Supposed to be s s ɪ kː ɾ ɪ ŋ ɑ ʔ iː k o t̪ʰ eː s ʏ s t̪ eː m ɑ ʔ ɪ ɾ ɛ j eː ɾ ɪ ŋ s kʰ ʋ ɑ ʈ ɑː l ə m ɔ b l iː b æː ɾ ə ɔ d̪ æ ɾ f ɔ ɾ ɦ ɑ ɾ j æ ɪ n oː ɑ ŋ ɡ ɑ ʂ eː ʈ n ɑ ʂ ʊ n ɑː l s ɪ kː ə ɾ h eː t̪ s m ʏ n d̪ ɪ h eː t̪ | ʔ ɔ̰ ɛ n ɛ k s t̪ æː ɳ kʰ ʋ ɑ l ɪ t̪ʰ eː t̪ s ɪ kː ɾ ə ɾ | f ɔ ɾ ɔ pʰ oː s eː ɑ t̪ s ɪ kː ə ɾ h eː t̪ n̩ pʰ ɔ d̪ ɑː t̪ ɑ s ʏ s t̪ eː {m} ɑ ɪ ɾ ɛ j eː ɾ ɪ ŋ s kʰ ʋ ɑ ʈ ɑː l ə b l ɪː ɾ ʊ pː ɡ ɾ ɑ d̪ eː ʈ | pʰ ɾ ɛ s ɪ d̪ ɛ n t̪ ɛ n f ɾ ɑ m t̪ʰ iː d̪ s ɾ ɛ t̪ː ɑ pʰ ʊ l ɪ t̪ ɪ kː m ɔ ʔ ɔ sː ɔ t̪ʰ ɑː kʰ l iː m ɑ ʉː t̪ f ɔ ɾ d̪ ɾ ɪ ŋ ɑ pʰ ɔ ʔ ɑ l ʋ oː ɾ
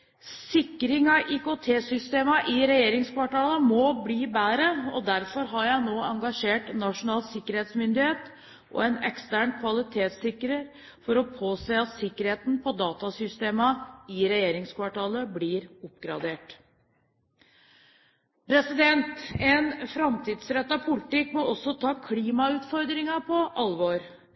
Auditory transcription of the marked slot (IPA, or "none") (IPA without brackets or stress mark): m